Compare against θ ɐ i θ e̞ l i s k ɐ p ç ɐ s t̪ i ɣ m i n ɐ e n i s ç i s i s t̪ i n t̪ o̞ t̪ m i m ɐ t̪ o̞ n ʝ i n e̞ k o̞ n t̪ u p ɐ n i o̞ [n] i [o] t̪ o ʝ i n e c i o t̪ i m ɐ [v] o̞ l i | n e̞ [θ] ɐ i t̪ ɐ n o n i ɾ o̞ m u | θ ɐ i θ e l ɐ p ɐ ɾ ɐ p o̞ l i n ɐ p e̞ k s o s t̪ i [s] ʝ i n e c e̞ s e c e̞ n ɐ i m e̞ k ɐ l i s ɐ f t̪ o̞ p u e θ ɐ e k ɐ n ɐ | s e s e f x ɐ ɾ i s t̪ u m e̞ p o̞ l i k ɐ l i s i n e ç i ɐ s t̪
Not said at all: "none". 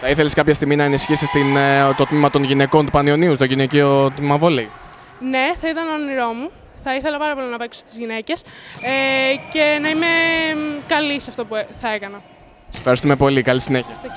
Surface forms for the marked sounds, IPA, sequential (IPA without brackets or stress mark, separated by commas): n, u, v, θ, z